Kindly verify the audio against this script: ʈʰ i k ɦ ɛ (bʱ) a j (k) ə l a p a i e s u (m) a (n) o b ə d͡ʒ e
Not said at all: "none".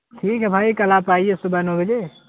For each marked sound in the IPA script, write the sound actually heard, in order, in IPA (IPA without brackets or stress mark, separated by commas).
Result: bʱ, k, b, n